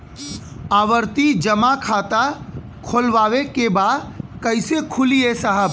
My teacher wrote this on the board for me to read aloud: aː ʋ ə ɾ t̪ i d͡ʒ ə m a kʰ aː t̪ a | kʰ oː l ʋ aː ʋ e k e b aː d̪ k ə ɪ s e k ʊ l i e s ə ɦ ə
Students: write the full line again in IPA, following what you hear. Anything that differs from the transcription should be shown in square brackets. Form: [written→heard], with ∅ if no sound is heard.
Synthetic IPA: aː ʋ ə ɾ t̪ i d͡ʒ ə m a kʰ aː t̪ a | kʰ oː l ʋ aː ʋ e k e b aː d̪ k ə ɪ s e [k→kʰ] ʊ l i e s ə ɦ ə